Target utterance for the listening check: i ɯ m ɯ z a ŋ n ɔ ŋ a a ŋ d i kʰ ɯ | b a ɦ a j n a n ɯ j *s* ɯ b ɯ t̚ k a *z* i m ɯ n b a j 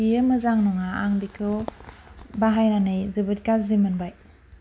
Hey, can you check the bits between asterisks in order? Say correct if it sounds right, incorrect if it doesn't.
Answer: incorrect, correct

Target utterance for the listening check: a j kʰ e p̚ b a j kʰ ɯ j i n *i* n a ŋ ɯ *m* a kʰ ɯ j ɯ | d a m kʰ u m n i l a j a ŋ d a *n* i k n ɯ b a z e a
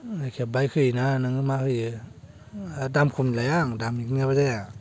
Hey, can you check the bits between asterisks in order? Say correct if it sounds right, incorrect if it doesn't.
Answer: incorrect, correct, incorrect

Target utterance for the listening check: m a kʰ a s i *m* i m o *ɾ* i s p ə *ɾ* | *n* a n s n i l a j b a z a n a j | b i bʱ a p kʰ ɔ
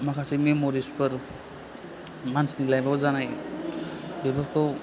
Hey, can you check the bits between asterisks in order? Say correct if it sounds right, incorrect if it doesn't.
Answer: correct, correct, correct, incorrect

